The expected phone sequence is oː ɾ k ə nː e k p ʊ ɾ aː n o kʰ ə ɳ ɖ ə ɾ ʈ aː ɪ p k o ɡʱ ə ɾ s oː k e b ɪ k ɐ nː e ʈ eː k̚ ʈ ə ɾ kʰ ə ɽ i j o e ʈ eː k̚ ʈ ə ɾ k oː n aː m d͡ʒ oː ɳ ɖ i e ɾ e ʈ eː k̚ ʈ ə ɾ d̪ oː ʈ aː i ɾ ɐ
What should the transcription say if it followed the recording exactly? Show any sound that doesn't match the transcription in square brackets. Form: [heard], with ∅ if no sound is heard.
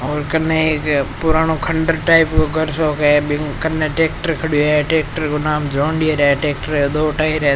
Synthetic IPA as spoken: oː ɾ k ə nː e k p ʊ ɾ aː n o kʰ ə ɳ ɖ ə ɾ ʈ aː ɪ p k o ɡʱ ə ɾ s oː k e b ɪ k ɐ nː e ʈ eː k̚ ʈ ə ɾ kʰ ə ɽ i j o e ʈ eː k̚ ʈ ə ɾ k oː n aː m d͡ʒ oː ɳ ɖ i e ɾ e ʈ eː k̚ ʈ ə ɾ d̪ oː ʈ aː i ɾ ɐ